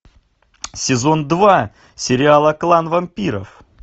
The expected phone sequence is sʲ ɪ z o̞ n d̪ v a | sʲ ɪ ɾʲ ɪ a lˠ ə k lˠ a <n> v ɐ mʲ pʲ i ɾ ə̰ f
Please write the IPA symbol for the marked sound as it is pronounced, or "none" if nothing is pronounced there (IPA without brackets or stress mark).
n